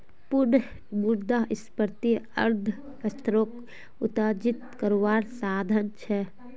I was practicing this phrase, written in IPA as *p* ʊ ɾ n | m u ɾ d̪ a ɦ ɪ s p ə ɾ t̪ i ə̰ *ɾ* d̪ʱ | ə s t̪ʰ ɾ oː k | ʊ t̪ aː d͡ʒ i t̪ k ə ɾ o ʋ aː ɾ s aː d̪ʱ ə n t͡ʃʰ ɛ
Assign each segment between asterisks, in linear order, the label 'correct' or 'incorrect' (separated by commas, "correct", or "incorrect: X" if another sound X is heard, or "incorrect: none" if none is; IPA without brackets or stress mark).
correct, correct